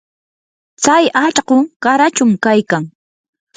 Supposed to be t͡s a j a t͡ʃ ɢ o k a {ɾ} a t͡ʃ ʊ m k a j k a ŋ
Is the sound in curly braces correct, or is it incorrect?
correct